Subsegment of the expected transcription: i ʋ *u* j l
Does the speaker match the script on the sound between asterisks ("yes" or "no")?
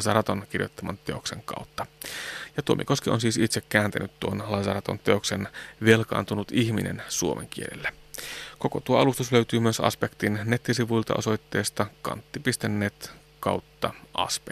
yes